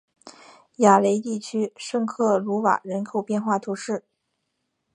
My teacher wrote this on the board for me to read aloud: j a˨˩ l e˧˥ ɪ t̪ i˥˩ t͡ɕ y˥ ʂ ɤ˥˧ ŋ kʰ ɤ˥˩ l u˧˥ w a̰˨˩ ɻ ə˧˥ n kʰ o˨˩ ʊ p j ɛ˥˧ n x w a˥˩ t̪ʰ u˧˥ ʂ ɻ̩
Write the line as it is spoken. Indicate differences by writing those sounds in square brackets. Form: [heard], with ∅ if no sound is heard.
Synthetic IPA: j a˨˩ l e˧˥ ɪ t̪ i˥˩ [t͡ɕʰ] y˥ ʂ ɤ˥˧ ŋ kʰ ɤ˥˩ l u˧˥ w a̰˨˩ ɻ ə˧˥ n kʰ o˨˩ ʊ p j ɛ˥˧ n x w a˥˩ t̪ʰ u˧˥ ʂ ɻ̩